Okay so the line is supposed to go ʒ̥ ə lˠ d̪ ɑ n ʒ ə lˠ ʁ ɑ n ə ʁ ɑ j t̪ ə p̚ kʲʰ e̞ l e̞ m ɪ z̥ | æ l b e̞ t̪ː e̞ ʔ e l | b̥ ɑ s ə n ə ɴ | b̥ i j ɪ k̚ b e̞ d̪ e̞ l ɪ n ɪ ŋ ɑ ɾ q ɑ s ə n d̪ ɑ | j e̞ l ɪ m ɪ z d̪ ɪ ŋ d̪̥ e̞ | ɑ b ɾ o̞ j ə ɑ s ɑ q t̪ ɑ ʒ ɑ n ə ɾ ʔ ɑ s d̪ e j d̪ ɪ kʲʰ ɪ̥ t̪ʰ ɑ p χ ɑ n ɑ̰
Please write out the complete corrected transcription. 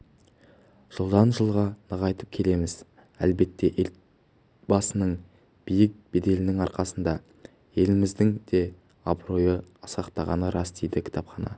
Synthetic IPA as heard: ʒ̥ ə lˠ d̪ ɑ n ʒ ə lˠ ʁ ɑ n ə ʁ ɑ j t̪ ə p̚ kʲʰ e̞ l e̞ m ɪ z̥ | æ l b e̞ t̪ː e̞ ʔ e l | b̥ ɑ s ə n ə ɴ | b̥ i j ɪ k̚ b e̞ d̪ e̞ l ɪ n ɪ ŋ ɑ ɾ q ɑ s ə n d̪ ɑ | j e̞ l ɪ m ɪ z d̪ ɪ ŋ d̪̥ e̞ | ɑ b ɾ o̞ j ə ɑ s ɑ q t̪ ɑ ʁ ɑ n ə ɾ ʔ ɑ s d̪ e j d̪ ɪ kʲʰ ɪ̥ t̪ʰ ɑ p χ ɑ n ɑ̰